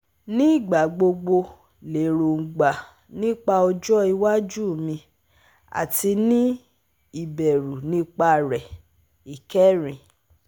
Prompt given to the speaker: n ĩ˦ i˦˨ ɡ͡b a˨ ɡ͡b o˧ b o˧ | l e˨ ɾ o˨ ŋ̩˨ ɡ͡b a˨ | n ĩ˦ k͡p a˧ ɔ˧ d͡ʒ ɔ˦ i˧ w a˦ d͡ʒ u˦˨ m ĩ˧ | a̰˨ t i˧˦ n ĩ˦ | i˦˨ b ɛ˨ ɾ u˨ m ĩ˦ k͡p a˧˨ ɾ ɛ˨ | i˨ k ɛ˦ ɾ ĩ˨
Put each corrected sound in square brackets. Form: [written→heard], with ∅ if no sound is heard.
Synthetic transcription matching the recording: n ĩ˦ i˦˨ ɡ͡b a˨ ɡ͡b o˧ [b→ɡ͡b] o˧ | l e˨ ɾ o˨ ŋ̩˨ ɡ͡b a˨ | n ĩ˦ k͡p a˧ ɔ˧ d͡ʒ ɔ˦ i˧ w a˦ d͡ʒ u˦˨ m ĩ˧ | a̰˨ t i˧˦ n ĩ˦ | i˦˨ b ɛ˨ ɾ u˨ [m→n] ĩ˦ k͡p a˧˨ ɾ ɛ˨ | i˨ k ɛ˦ ɾ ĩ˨

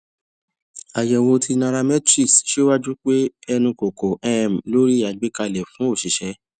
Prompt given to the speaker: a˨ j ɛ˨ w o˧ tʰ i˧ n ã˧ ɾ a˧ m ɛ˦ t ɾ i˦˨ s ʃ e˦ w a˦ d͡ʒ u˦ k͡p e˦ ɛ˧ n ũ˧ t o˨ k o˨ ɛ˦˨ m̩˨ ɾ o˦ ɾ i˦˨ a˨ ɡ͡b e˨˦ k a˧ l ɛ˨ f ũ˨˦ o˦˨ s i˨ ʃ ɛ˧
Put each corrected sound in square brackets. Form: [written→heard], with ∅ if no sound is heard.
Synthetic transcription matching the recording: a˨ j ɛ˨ w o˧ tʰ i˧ n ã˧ ɾ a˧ m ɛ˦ t ɾ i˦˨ s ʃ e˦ w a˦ d͡ʒ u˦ k͡p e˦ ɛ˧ n ũ˧ [t→k] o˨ k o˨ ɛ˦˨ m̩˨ [ɾ→l] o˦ ɾ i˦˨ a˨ ɡ͡b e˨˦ k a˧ l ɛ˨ f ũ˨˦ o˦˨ [s→ʃ] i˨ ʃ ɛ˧

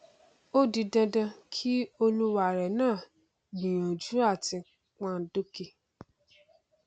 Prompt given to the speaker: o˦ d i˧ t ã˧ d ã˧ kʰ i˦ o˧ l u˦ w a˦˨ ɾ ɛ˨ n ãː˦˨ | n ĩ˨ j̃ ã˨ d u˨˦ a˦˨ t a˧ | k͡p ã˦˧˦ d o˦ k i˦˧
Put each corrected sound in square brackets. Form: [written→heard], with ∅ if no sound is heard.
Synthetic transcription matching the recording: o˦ d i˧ [t→d] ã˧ d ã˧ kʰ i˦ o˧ l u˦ w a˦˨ ɾ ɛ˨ n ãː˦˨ | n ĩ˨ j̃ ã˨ [d→d͡ʒ] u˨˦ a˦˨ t [a˧→i˧] | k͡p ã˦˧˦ d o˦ k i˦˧

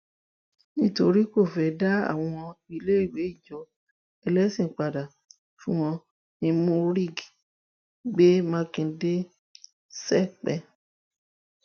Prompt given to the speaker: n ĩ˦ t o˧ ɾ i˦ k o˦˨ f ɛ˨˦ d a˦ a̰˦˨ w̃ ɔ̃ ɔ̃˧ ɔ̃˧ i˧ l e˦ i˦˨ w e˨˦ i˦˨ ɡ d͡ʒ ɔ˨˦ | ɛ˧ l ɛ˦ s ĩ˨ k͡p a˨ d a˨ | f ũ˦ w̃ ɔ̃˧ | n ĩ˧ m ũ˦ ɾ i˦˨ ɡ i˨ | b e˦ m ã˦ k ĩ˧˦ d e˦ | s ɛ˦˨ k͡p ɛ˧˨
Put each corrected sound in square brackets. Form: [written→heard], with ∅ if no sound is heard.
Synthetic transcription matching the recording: n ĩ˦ t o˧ ɾ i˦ k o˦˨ f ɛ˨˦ d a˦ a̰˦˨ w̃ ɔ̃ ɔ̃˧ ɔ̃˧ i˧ l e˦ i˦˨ w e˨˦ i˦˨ [ɡ→∅] d͡ʒ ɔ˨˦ | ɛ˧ l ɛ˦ s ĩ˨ k͡p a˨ d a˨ | f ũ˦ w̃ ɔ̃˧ | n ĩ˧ m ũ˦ ɾ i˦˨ ɡ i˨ | [b→ɡ͡b] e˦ m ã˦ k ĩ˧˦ d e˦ | s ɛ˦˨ k͡p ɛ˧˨

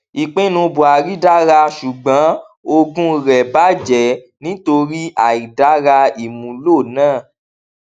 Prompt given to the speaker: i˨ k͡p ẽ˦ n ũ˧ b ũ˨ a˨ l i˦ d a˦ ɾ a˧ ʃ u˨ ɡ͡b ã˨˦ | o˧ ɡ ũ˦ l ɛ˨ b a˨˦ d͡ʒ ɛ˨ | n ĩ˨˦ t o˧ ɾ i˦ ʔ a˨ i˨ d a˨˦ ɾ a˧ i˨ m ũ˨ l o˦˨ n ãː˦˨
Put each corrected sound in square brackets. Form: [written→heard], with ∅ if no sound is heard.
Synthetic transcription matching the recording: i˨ k͡p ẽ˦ n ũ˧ b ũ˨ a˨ [l→ɾ] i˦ d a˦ ɾ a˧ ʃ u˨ ɡ͡b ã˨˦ | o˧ ɡ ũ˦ [l→ɾ] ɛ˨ b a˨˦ d͡ʒ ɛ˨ | n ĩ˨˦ t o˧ ɾ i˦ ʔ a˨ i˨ d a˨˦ ɾ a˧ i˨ m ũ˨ l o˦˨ n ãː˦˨

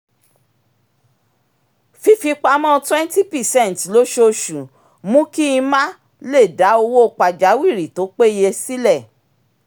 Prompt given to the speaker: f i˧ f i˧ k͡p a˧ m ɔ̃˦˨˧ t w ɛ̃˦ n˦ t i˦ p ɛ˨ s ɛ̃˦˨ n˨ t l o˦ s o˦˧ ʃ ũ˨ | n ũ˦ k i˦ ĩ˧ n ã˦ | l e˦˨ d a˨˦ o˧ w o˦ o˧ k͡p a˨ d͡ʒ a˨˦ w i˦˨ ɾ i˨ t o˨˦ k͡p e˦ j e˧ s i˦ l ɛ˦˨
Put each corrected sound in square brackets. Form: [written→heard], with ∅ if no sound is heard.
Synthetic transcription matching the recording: f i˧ f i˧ k͡p a˧ m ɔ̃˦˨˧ t w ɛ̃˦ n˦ t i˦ p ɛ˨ s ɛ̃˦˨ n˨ t l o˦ [s→ʃ] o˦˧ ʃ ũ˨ | [n→m] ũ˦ k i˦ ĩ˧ [n→m] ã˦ | l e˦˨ d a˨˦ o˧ w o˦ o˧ k͡p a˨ d͡ʒ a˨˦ w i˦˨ ɾ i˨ t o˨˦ k͡p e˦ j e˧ s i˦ l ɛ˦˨

